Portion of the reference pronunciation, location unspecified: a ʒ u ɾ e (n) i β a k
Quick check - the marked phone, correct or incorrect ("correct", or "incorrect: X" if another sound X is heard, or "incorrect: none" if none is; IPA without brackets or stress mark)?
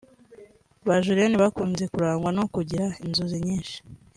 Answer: correct